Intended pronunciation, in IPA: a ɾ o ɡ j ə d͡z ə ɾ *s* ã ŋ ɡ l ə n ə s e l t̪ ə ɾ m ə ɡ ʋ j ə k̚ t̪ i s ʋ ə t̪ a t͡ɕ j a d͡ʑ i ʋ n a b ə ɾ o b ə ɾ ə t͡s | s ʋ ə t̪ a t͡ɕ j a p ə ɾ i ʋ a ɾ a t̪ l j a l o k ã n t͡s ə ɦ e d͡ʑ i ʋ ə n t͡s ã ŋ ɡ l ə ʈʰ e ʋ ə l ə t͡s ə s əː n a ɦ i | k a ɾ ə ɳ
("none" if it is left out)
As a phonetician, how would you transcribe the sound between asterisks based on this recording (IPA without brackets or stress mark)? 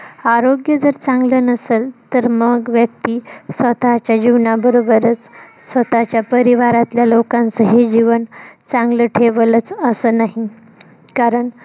t͡s